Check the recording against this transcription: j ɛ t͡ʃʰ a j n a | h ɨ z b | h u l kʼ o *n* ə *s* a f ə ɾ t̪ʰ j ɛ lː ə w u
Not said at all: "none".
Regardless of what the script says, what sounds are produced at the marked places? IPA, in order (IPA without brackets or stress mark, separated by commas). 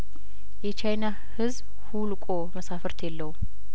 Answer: m, s